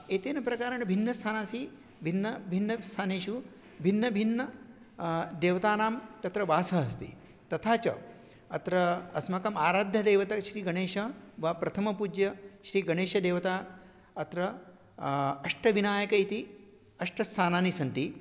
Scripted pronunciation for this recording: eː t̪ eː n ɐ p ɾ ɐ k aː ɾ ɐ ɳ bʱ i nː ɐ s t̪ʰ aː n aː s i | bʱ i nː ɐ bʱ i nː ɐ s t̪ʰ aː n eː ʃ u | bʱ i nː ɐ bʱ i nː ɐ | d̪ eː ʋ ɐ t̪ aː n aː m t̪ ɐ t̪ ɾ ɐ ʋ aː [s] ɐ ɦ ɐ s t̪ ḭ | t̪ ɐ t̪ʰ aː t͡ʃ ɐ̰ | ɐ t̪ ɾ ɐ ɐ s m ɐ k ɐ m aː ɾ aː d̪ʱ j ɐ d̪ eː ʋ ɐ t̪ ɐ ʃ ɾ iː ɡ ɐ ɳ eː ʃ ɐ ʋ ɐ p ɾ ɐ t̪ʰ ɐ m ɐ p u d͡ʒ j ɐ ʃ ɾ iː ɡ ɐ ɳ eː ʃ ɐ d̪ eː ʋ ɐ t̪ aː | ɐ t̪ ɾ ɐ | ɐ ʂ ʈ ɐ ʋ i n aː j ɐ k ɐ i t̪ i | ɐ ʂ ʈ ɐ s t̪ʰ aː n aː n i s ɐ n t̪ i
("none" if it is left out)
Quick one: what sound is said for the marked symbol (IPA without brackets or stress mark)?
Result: s